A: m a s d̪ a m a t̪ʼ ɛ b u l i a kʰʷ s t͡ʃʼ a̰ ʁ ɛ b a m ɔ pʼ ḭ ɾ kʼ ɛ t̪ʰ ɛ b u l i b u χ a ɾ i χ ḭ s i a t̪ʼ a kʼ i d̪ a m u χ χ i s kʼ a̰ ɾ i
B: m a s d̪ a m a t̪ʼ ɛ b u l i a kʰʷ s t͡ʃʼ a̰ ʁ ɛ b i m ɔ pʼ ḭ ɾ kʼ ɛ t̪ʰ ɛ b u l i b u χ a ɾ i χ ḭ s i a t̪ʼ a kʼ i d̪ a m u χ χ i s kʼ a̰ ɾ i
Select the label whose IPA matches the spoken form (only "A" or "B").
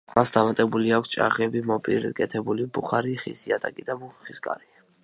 B